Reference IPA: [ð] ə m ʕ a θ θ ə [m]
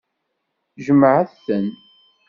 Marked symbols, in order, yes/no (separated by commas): no, no